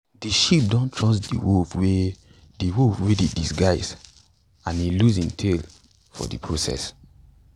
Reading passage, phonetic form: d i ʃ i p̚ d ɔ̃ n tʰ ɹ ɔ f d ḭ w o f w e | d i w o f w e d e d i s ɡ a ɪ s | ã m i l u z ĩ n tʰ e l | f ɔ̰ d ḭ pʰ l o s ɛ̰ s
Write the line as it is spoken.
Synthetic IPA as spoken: d i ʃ i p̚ d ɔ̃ n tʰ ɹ ɔ s d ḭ w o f w e | d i w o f w e d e d i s ɡ a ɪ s | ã n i l u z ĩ n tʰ e l | f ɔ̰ d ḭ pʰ ɹ o s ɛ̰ s